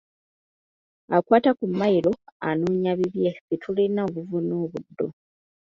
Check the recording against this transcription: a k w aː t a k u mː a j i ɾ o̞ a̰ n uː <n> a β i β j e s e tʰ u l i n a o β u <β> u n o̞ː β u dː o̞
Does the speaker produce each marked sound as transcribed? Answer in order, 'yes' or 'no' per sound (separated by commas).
no, no